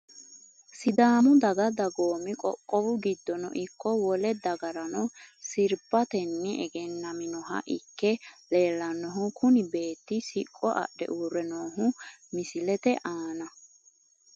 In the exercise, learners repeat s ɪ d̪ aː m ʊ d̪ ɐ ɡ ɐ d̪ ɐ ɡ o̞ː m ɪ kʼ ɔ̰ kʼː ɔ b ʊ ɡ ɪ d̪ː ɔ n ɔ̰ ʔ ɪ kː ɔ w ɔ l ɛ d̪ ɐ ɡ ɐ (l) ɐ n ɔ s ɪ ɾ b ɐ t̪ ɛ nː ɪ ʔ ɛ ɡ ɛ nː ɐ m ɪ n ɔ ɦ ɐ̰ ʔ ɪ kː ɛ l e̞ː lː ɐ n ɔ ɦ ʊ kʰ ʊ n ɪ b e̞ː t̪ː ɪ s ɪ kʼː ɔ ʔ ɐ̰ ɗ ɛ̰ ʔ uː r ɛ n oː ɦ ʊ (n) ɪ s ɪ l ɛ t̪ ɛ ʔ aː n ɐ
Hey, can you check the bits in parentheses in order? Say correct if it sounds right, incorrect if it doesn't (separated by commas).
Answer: incorrect, incorrect